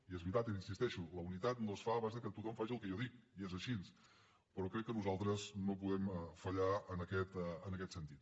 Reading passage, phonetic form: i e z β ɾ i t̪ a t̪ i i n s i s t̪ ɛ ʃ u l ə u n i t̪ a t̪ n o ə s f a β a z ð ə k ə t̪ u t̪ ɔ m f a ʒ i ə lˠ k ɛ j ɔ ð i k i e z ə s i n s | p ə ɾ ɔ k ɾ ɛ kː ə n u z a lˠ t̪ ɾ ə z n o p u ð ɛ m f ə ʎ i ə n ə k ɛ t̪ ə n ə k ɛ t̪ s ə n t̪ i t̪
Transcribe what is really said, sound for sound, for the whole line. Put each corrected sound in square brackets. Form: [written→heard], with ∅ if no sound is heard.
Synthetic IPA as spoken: i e z β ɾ i t̪ a t̪ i i n s i s t̪ ɛ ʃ u l ə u n i t̪ a t̪ n o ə s f a β a z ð ə k ə t̪ u t̪ ɔ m f a ʒ i ə lˠ k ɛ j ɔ ð i k i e z ə [s→ʃ] i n s | p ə ɾ ɔ k ɾ ɛ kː ə n u z a lˠ t̪ ɾ ə z n o p u ð ɛ m f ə ʎ [i→a] ə n ə k ɛ t̪ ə n ə k ɛ t̪ s ə n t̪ i t̪